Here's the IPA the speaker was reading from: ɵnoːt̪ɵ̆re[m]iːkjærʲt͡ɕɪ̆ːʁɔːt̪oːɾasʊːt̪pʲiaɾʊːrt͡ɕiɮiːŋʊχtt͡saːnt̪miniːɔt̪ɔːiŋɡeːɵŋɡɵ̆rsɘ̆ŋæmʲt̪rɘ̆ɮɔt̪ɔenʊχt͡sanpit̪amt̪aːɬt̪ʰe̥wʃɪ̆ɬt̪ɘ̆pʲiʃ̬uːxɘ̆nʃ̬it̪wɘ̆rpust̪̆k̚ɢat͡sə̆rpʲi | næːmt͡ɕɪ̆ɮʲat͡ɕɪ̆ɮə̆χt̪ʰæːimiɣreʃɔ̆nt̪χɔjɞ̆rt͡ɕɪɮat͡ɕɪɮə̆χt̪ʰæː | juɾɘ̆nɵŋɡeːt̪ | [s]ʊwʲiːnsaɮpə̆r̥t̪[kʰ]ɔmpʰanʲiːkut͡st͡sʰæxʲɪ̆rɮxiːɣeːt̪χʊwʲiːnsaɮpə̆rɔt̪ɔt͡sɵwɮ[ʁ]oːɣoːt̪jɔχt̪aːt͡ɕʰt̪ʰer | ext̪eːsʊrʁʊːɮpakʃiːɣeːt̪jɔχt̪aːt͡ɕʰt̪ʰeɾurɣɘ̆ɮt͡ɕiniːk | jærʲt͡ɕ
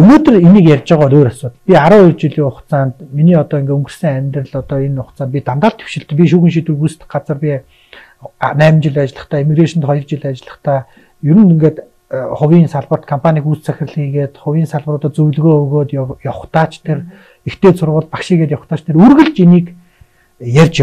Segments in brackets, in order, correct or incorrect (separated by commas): incorrect, incorrect, correct, incorrect